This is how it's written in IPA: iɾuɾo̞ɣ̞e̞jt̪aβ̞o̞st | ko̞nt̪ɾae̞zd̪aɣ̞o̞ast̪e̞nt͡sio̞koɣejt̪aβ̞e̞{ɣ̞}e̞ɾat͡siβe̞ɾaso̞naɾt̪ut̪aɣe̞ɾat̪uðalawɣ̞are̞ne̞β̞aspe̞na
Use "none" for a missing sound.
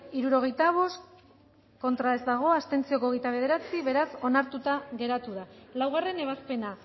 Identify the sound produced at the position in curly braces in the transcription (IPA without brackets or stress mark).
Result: ð̞